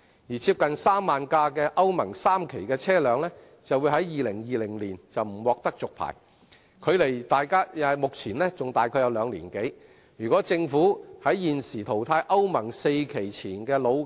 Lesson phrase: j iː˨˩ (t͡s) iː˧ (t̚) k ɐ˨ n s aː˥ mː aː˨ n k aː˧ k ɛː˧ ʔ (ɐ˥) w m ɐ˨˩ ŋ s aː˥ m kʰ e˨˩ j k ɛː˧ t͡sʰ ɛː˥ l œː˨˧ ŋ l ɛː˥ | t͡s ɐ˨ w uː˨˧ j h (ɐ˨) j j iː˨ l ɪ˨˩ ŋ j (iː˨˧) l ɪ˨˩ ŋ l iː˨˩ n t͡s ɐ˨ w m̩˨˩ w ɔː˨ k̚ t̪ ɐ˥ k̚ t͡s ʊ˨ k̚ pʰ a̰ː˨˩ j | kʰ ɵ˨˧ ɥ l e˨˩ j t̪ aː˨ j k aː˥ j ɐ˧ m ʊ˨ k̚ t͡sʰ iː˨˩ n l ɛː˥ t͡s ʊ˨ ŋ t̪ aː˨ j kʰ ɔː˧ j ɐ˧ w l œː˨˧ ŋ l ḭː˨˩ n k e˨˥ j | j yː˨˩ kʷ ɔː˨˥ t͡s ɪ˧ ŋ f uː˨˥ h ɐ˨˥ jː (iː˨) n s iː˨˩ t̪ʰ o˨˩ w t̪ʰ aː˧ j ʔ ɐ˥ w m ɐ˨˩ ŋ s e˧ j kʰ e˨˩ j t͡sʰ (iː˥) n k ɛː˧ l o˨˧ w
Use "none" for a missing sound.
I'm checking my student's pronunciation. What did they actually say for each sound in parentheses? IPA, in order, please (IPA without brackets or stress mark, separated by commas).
t͡sʰ, p̚, ɐ˥, ɐ˨˥, iː˨˧, iː˨, iː˨˩